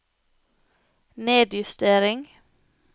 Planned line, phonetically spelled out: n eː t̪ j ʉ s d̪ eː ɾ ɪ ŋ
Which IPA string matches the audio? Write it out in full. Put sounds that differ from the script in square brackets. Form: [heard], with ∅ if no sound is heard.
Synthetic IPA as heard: n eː [d̪] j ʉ s [t̪] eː ɾ ɪ ŋ